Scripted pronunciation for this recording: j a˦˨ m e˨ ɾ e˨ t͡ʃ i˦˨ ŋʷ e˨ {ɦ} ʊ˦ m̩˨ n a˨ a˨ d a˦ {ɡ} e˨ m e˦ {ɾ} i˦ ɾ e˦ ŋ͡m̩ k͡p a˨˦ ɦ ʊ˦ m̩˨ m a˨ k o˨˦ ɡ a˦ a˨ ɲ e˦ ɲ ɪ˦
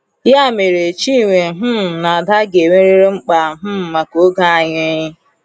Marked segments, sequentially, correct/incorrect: correct, correct, correct

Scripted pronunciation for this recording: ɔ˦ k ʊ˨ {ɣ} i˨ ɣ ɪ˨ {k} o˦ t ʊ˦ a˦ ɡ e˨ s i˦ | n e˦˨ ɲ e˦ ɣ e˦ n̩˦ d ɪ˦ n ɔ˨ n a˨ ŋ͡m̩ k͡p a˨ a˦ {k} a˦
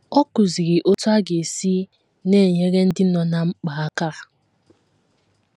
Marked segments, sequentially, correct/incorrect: incorrect: z, incorrect: ʔ, correct

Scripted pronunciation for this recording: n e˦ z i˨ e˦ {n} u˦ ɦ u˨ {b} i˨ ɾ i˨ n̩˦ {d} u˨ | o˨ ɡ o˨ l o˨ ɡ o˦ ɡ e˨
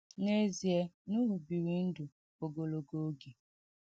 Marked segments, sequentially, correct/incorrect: correct, correct, correct

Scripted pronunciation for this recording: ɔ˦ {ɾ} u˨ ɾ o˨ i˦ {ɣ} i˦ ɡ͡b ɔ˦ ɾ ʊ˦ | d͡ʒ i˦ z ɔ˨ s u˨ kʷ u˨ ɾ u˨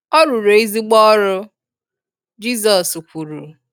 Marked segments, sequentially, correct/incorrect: correct, incorrect: z

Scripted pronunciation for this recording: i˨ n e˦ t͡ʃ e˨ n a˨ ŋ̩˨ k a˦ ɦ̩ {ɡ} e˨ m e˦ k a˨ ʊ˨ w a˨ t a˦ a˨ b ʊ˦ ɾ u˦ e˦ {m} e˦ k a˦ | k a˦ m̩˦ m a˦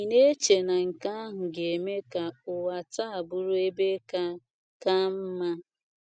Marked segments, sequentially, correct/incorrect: correct, incorrect: b

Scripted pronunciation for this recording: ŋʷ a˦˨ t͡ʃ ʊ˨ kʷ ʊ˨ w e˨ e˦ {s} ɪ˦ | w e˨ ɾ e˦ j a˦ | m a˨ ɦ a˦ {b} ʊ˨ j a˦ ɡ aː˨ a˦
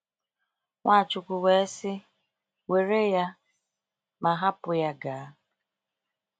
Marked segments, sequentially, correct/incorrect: correct, incorrect: p

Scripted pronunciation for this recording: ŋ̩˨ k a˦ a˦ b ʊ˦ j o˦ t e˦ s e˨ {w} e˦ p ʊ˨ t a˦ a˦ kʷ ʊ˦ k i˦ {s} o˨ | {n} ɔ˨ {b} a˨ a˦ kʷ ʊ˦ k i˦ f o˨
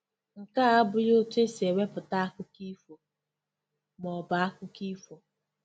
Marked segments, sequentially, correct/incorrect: correct, incorrect: f, incorrect: m, correct

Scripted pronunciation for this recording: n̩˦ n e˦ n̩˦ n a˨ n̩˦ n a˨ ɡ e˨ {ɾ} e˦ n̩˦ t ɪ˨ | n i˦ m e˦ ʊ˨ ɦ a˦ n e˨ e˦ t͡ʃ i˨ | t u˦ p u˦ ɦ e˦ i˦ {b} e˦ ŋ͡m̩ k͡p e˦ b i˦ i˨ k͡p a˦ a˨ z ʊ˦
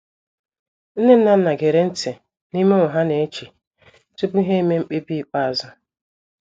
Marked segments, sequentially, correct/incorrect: correct, incorrect: m

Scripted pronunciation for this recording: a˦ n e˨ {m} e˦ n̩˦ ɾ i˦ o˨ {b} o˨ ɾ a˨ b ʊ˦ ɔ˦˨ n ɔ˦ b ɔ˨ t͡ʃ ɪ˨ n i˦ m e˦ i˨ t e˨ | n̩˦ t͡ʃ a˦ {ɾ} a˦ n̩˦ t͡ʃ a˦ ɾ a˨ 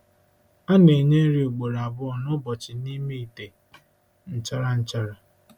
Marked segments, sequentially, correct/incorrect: incorrect: ɲ, incorrect: ɡ͡b, correct

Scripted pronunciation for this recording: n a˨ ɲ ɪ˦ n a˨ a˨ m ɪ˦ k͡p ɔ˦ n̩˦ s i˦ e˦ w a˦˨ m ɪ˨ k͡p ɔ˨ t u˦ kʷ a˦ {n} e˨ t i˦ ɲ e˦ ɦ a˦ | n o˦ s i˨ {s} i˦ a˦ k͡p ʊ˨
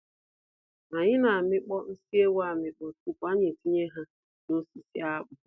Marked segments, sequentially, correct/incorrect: incorrect: ɲ, correct

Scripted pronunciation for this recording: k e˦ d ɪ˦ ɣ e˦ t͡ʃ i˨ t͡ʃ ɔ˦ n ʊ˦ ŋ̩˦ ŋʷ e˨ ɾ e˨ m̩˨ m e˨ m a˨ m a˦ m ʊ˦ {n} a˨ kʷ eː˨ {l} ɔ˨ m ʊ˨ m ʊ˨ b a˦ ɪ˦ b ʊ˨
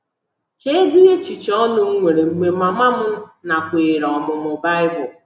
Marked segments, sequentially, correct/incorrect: correct, incorrect: ɾ

